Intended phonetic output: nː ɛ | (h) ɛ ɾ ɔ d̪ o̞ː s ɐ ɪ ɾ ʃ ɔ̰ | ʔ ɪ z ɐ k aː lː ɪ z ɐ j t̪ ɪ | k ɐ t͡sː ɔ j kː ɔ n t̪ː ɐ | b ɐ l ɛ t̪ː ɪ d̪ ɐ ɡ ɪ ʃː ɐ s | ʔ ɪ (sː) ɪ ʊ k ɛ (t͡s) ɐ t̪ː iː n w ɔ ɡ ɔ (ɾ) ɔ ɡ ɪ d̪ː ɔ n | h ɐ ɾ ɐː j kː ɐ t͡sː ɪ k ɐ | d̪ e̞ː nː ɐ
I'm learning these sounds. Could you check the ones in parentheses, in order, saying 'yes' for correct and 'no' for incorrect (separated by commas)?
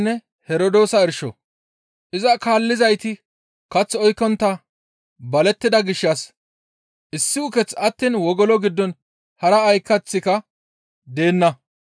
yes, yes, yes, no